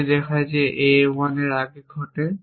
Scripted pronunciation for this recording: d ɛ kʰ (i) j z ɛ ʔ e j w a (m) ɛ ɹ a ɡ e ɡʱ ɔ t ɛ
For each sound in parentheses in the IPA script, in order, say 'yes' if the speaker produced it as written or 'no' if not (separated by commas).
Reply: no, no